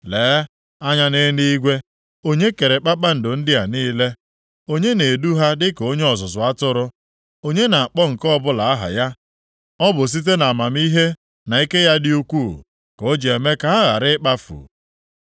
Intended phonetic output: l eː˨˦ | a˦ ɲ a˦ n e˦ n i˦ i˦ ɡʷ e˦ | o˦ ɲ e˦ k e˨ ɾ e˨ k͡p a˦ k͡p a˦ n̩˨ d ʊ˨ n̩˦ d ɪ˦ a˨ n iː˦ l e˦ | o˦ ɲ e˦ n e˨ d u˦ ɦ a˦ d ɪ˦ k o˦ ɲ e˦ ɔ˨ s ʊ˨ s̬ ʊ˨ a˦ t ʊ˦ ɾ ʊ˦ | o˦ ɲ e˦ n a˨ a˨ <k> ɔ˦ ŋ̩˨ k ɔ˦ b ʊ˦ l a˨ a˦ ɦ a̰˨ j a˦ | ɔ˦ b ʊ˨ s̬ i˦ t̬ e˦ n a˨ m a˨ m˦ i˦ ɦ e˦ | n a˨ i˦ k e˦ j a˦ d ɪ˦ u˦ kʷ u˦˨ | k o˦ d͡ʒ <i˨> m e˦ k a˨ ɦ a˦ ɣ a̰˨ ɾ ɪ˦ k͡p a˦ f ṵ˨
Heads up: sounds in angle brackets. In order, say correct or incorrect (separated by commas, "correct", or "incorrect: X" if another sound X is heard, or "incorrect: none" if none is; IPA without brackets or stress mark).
incorrect: k͡p, incorrect: e˨